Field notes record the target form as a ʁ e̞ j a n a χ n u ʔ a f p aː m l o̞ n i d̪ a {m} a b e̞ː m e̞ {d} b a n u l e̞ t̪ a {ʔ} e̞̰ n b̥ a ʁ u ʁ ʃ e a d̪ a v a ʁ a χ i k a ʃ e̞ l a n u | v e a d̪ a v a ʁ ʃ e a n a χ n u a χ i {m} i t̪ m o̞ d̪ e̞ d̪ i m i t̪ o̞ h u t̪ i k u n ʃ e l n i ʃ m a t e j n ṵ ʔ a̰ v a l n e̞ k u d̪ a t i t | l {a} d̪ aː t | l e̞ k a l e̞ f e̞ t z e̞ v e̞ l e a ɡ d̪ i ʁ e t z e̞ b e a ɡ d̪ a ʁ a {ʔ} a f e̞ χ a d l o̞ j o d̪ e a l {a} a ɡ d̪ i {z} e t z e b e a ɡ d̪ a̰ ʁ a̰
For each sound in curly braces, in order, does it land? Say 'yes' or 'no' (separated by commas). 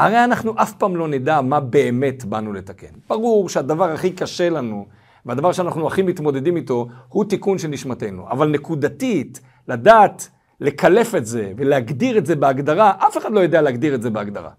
yes, no, no, yes, yes, yes, no, no